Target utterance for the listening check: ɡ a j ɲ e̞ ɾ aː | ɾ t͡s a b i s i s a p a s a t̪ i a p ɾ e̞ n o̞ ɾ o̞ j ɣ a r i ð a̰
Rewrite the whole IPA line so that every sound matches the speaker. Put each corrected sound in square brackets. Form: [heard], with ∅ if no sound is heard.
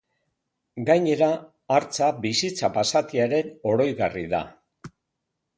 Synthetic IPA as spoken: ɡ a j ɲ e̞ ɾ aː | ɾ t͡s a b i s i [t͡s] a p a s a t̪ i a [∅] ɾ e̞ n o̞ ɾ o̞ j ɣ a r i ð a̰